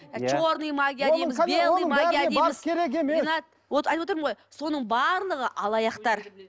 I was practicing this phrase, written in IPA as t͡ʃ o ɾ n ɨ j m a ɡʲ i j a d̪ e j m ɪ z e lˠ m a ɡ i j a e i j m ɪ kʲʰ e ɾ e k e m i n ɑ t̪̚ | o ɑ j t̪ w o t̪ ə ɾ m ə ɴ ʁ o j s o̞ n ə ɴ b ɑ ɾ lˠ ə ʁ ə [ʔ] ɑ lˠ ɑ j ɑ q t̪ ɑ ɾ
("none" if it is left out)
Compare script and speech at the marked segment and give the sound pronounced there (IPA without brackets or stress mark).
ʔ